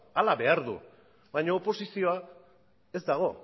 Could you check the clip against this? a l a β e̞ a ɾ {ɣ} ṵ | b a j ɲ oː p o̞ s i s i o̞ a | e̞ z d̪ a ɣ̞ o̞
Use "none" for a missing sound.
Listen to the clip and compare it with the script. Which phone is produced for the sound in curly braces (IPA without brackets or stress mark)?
ð